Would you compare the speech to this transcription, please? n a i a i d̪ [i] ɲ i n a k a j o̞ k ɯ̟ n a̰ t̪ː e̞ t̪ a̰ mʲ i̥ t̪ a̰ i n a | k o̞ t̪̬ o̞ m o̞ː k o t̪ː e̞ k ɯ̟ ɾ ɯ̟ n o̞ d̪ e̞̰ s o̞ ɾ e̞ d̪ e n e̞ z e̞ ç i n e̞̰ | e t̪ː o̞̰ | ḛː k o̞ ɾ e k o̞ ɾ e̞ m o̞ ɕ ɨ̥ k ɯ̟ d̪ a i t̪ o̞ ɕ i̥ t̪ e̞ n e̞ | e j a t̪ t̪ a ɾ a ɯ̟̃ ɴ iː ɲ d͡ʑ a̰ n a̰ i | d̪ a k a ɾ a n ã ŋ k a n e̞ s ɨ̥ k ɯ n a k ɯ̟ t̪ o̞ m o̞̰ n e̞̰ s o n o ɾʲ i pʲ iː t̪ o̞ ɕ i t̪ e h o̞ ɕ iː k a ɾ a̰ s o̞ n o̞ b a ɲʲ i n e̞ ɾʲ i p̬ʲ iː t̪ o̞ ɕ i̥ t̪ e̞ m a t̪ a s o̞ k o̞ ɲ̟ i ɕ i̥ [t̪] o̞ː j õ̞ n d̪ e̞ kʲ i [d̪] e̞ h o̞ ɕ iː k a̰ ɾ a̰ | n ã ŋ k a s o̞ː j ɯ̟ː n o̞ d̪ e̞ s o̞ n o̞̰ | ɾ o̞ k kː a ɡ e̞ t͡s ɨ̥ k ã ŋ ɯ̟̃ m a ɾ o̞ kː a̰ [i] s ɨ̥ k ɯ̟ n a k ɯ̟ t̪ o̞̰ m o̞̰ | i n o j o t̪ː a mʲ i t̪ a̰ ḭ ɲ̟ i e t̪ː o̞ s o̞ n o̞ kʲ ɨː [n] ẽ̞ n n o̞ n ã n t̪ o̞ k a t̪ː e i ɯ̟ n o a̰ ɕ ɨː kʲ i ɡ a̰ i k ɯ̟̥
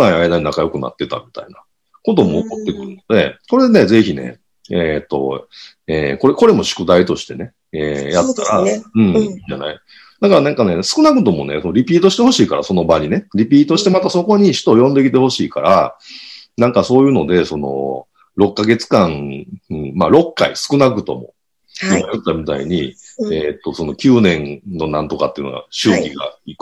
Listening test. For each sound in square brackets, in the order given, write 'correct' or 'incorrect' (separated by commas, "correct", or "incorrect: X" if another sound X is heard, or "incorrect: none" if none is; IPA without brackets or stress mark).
incorrect: a, correct, incorrect: t̪, correct, correct